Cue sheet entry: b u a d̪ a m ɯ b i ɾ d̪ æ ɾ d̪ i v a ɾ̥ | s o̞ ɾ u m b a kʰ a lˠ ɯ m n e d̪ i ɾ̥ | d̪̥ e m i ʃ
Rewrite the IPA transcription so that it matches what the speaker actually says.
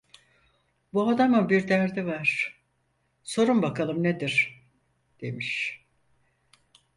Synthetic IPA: b u a d̪ a m ɯ b i ɾ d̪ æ ɾ d̪ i v a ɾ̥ | s o̞ ɾ u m b a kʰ a lˠ ɯ m n e d̪ i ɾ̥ | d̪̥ e m i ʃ